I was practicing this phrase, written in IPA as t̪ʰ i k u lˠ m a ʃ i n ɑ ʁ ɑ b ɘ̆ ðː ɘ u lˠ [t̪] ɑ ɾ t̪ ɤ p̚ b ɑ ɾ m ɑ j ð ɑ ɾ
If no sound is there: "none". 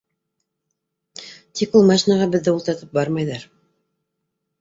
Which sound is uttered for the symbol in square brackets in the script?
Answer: t̪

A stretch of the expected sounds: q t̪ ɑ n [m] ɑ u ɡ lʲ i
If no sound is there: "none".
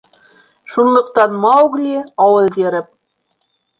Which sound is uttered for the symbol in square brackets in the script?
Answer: m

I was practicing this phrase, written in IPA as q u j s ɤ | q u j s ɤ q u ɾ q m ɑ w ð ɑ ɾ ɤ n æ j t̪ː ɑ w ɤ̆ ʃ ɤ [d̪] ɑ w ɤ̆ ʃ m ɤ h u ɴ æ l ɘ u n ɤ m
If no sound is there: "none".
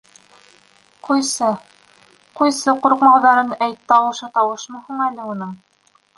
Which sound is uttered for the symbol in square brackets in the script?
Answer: t̪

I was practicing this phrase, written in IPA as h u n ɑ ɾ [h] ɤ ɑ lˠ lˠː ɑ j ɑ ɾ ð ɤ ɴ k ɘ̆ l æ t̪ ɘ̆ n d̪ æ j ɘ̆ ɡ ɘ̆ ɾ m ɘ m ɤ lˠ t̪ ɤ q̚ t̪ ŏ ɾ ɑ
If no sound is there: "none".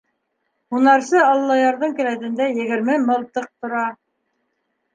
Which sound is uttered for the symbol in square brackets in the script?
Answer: s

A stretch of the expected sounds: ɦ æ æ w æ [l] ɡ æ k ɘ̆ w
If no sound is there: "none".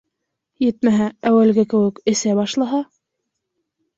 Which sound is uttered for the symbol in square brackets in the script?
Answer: l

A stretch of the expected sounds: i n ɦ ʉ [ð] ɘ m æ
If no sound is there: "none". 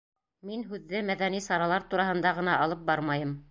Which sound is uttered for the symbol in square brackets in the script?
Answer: ðː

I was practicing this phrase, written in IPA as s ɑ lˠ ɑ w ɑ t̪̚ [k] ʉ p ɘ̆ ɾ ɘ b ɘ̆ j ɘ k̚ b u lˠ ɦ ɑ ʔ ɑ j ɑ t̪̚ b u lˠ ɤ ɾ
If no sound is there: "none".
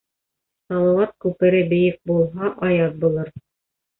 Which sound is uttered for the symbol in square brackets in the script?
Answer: k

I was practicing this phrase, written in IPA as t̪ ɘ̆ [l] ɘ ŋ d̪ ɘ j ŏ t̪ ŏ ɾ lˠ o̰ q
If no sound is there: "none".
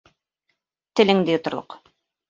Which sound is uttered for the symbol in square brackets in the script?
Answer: l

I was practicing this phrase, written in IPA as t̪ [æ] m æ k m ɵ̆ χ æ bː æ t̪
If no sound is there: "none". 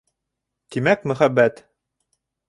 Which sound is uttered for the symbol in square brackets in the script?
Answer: i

